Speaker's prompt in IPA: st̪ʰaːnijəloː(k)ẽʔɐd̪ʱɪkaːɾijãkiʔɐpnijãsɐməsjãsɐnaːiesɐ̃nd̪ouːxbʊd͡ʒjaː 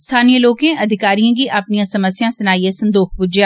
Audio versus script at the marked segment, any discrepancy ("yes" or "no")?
no